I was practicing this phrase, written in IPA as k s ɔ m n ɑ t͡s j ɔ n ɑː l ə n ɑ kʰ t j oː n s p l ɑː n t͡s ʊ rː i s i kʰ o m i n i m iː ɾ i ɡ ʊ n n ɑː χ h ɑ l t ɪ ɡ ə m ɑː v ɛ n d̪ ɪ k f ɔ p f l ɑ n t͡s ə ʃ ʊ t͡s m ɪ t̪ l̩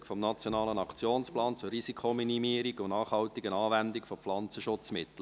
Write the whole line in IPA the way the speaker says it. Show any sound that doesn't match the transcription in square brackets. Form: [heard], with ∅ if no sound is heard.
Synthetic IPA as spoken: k [f] ɔ m n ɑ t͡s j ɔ n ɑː l ə n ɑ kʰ [t͡s] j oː n s p l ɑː n t͡s ʊ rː i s i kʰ o m i n i m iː ɾ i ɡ ʊ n n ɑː χ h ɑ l t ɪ ɡ ə [n] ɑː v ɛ n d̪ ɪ k f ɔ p f l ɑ n t͡s ə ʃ ʊ t͡s m ɪ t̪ l̩